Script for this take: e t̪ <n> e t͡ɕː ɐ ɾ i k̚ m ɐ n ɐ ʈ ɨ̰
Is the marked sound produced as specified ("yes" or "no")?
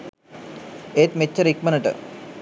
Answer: no